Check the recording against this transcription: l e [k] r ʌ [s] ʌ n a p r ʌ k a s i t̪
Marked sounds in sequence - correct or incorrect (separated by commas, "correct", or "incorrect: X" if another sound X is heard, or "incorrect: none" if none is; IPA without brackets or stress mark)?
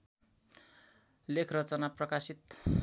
incorrect: kʰ, incorrect: t͡s